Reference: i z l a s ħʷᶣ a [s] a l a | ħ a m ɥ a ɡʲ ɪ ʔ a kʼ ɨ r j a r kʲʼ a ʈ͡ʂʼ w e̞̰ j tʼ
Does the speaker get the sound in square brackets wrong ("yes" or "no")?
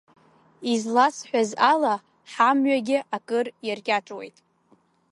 yes